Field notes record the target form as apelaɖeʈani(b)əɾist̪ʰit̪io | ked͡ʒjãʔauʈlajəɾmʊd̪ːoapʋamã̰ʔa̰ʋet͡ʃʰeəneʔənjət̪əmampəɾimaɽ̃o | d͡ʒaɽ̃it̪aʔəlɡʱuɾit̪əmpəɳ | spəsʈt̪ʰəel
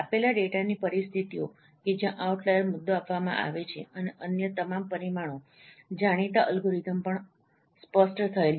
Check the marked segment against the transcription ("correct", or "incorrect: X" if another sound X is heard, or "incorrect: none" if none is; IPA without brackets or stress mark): incorrect: p